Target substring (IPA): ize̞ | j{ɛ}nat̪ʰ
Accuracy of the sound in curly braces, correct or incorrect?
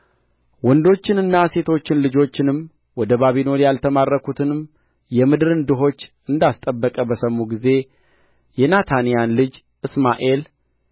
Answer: correct